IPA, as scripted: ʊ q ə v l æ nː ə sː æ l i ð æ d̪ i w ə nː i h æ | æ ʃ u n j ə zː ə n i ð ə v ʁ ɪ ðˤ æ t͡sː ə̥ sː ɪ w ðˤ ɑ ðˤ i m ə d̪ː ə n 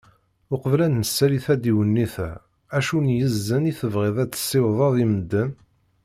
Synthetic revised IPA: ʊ q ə v l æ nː ə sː æ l i θ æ d̪ i w ə nː i θ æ | æ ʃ u n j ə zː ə n i θ ə v ʁ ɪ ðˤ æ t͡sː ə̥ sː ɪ w ðˤ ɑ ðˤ i m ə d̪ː ə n